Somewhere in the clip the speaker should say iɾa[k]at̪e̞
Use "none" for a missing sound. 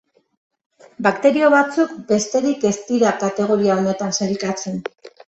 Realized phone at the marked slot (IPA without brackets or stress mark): k